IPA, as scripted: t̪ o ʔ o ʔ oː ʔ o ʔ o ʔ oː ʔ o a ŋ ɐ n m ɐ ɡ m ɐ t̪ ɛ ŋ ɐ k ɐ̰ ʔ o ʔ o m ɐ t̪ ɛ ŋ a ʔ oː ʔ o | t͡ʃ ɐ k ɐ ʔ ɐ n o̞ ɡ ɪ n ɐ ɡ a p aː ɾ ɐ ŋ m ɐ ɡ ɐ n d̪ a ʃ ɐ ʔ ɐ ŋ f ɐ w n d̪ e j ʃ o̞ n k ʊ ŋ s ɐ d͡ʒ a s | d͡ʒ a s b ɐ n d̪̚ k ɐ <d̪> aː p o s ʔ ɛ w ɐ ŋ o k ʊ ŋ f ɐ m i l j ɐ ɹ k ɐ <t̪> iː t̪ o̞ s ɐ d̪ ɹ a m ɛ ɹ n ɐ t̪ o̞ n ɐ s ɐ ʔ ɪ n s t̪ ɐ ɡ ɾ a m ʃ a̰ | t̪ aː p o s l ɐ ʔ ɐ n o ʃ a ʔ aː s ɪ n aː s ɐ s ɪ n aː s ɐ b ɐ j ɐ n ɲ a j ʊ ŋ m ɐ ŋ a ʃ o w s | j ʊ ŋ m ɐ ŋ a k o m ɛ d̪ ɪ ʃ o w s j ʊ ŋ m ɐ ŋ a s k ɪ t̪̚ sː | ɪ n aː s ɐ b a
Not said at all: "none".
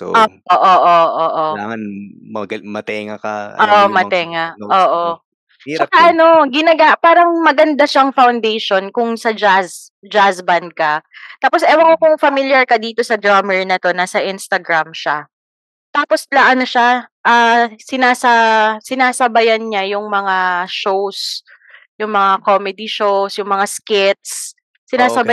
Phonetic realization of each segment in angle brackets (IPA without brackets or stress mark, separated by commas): t̪, d̪